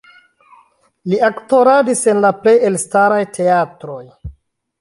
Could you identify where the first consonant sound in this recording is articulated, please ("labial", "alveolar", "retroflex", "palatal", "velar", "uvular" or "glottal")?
alveolar